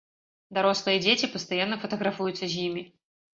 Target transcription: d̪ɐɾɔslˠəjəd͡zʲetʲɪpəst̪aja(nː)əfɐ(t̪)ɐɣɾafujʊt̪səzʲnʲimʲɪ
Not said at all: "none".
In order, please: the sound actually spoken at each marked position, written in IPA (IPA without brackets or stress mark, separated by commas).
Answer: nː, t̪